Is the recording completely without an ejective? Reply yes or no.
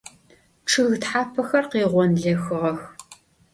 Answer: yes